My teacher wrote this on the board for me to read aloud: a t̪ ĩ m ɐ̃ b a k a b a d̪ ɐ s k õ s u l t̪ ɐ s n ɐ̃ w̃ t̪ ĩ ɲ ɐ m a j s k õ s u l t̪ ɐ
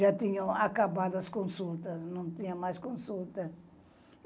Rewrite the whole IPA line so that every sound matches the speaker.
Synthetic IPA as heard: a t̪ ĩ ɲ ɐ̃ a k a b a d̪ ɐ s k õ s u l t̪ ɐ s n ɐ̃ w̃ t̪ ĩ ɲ ɐ m a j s k õ s u l t̪ ɐ